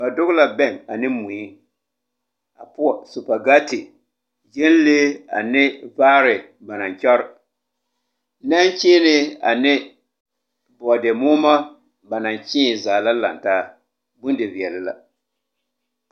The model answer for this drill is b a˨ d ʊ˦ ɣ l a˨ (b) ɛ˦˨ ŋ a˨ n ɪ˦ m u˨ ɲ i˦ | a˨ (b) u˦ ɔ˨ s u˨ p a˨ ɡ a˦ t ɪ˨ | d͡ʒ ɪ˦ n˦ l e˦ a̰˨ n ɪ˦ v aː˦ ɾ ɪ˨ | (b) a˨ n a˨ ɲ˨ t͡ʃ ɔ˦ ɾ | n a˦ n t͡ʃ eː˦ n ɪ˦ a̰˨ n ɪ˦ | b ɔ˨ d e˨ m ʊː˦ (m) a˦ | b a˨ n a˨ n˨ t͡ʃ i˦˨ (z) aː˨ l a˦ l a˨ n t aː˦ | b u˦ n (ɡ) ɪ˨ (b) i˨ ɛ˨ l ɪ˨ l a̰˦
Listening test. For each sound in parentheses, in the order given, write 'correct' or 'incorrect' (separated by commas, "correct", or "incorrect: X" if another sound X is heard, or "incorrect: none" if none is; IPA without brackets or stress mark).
correct, incorrect: p, correct, correct, correct, incorrect: d, incorrect: v